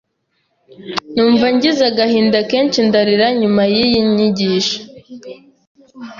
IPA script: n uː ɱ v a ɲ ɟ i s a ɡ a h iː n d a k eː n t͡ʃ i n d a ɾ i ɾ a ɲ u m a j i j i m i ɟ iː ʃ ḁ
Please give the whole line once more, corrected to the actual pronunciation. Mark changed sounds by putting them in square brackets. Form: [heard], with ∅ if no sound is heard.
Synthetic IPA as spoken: n uː ɱ v a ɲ ɟ i [z] a ɡ a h iː n d a k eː n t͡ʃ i n d a ɾ i ɾ a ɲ u m a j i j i [ɲ] i ɟ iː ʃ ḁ